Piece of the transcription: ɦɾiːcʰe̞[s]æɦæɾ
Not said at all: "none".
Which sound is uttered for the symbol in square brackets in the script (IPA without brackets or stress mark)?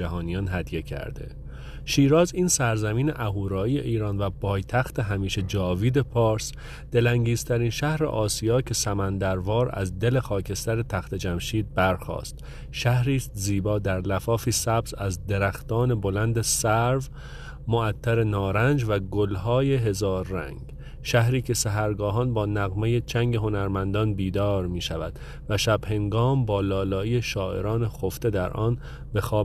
s